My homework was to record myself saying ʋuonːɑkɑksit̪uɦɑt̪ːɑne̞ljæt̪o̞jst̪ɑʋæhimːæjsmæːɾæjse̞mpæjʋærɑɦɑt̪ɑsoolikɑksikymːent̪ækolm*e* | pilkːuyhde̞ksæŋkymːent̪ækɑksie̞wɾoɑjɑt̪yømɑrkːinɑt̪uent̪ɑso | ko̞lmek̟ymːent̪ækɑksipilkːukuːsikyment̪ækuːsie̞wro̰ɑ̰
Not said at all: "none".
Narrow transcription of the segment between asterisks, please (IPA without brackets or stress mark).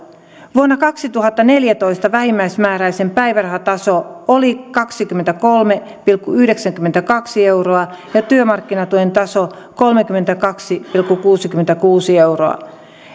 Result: e